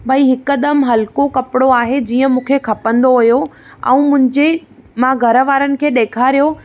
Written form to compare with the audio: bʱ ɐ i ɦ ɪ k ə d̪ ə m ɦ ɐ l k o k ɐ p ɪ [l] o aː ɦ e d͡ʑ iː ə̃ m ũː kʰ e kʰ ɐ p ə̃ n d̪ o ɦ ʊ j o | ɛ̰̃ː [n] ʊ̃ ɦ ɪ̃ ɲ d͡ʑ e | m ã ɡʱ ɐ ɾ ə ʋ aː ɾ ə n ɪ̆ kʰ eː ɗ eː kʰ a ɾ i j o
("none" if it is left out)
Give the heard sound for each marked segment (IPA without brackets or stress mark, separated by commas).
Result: ɽ, m